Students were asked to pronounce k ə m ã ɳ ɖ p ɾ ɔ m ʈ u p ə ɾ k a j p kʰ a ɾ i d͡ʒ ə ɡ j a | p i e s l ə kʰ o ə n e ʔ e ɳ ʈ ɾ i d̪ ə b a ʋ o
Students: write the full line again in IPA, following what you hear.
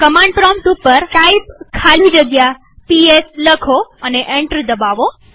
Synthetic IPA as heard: k ə m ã ɳ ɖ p ɾ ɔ m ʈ u p ə ɾ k a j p kʰ a l i d͡ʒ ə ɡ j a | p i e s l ə kʰ o ə n e ʔ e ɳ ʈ ɾ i d̪ ə b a ʋ o